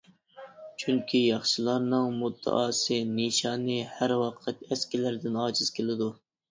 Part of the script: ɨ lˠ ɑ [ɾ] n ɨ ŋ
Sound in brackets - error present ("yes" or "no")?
no